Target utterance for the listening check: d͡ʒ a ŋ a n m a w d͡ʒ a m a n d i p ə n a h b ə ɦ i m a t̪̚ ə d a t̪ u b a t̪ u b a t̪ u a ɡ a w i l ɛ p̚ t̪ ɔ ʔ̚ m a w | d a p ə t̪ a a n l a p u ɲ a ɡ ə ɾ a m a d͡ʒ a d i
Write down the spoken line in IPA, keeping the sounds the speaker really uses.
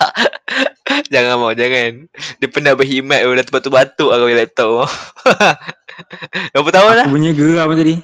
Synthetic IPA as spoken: d͡ʒ a ŋ a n m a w d͡ʒ a ŋ a n d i p ə n a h b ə ɦ i m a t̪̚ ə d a t̪ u b a t̪ u b a t̪ u a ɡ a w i l ɛ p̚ t̪ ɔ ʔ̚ m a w | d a p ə t̪ a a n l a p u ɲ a ɡ ə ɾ a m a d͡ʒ a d i